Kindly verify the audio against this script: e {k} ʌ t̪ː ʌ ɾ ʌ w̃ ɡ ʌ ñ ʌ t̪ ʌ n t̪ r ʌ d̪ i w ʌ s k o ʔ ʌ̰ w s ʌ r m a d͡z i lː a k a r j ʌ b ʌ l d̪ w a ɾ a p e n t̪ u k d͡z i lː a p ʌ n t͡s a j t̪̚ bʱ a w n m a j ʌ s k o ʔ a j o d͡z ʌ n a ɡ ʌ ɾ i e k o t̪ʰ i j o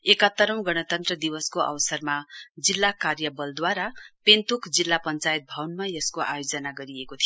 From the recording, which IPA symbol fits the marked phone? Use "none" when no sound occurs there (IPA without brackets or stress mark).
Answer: k